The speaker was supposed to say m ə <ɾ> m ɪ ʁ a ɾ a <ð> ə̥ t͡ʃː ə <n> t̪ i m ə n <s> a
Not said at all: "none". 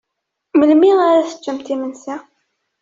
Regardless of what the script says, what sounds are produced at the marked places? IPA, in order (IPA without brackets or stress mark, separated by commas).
l, θ, m, s